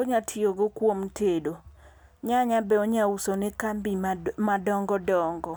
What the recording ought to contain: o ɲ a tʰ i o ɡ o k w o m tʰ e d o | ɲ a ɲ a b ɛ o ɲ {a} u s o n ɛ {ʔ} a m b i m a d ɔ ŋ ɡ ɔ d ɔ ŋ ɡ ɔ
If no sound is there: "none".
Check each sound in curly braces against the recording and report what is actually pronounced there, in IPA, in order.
a, k

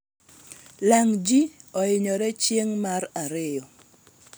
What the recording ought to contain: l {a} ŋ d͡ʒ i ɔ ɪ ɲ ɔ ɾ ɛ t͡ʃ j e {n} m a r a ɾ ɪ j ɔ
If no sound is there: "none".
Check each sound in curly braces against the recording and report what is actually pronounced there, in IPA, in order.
a, ŋ

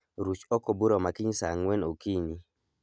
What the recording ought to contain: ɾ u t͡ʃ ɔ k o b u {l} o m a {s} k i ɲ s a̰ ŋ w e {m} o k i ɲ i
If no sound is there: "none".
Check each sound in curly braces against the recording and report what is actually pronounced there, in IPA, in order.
ɾ, none, n

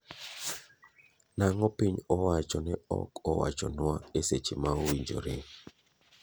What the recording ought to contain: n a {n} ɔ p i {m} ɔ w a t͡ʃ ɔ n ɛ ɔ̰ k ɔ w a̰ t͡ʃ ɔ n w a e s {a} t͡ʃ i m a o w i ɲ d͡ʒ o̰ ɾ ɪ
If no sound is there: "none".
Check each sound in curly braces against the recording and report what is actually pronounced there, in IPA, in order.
ŋ, ɲ, e

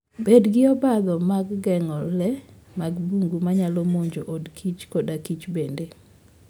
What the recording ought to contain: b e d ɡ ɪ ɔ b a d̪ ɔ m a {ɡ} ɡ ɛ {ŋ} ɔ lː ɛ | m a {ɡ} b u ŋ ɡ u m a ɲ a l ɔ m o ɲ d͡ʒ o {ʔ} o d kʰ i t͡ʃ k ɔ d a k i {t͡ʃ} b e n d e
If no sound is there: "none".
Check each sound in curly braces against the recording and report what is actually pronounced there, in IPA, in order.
ɡ, ŋ, ɡ, ʔ, t͡ʃ

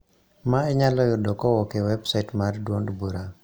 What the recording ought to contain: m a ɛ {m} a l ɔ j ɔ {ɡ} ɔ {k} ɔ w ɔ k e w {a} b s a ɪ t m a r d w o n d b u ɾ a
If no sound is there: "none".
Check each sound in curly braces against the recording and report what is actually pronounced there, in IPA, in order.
ɲ, d, k, ɛ

